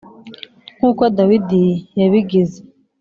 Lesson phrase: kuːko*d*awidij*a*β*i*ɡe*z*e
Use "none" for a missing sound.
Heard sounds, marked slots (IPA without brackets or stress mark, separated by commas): d, a, i, z